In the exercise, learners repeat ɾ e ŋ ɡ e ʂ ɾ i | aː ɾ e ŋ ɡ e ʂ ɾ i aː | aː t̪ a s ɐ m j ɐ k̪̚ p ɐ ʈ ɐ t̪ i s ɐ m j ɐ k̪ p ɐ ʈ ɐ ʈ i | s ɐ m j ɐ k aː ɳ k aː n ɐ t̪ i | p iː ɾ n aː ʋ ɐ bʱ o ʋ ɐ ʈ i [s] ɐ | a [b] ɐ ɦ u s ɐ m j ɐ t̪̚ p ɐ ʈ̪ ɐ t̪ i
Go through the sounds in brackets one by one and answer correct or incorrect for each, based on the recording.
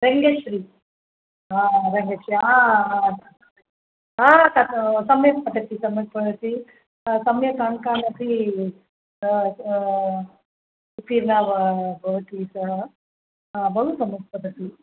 correct, correct

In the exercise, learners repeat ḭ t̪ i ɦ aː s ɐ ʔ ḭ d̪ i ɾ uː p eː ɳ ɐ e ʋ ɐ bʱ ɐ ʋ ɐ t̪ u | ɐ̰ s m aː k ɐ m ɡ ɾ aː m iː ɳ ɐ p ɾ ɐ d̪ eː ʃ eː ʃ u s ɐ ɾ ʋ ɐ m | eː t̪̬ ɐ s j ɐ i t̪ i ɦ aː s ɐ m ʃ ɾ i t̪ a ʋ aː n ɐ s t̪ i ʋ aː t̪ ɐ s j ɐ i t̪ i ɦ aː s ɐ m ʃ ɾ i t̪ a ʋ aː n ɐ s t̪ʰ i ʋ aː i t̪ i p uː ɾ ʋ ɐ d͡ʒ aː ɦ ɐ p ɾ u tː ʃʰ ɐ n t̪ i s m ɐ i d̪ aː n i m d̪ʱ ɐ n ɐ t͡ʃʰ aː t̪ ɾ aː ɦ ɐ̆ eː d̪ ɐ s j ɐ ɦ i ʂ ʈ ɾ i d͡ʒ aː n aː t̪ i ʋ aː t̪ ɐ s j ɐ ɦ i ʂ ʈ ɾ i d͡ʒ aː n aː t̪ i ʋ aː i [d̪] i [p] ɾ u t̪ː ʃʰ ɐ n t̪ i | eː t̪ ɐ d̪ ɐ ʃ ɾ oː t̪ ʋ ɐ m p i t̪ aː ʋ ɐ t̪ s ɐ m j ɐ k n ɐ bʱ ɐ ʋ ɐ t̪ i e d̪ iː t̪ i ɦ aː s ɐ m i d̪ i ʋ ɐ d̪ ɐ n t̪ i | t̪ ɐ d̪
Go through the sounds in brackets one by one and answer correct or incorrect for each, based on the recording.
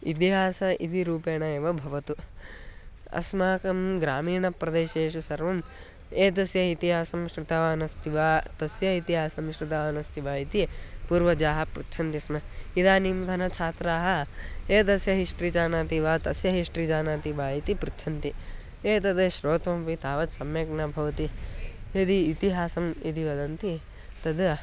incorrect: t̪, correct

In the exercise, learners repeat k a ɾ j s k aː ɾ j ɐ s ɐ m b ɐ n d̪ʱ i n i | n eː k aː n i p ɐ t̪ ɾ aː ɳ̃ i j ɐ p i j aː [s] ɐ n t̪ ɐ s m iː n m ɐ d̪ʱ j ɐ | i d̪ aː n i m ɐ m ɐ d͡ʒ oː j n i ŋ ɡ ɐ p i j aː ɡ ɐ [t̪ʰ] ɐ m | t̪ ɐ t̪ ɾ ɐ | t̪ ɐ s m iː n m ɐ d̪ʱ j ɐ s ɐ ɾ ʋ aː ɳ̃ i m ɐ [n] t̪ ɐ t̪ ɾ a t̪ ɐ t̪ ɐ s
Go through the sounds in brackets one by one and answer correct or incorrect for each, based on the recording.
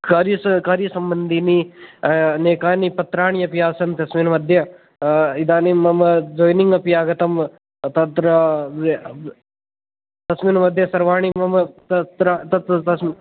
correct, incorrect: t̪, incorrect: m

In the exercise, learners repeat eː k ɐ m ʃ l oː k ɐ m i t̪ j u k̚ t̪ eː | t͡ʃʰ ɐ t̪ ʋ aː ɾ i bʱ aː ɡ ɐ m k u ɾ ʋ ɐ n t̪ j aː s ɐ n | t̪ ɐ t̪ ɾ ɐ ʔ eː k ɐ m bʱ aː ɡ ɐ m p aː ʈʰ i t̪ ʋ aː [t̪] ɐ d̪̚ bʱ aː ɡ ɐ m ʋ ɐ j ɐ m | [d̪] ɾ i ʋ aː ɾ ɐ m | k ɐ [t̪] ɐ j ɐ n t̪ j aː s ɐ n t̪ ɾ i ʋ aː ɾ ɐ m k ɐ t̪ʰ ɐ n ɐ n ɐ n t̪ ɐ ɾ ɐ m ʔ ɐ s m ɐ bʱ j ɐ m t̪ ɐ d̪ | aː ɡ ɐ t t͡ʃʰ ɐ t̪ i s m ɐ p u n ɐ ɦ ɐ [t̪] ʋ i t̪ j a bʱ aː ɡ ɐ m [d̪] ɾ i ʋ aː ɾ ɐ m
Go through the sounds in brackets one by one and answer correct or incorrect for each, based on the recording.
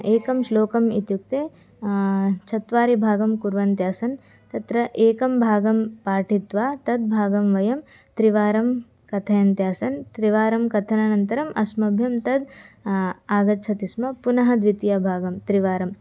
correct, incorrect: t̪, incorrect: t̪ʰ, incorrect: d̪, incorrect: t̪

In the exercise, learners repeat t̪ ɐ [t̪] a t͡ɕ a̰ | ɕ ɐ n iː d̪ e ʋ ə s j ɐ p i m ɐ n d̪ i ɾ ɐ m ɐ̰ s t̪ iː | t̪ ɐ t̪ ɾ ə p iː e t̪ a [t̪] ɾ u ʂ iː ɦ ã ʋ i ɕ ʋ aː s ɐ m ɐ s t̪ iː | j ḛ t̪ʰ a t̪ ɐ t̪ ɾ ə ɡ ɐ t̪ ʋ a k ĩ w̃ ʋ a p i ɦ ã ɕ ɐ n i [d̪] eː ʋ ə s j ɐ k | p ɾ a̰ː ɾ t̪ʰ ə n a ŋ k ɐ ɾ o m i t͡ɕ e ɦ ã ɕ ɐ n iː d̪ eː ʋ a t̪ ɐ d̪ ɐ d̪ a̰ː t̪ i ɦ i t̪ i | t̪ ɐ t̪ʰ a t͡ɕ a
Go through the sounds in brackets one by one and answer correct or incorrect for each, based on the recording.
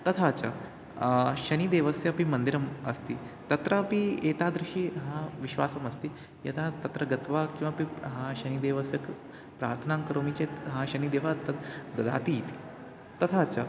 incorrect: t̪ʰ, incorrect: d̪, correct

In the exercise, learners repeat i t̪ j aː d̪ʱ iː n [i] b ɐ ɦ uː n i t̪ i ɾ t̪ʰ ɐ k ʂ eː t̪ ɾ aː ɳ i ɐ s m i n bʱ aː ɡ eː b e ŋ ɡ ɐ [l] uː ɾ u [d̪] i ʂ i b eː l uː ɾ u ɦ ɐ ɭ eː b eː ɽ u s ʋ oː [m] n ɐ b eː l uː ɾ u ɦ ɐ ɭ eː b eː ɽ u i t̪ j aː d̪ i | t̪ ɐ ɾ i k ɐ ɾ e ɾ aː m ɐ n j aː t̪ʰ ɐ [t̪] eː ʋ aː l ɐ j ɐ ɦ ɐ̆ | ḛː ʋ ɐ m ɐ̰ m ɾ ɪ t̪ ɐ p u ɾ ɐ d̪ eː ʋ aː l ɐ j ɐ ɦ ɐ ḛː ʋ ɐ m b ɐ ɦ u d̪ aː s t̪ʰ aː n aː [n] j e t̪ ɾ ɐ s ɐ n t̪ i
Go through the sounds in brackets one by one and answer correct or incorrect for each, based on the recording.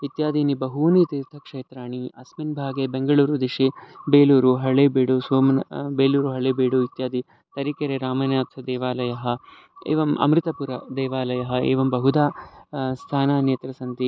correct, incorrect: ɭ, correct, correct, incorrect: d̪, correct

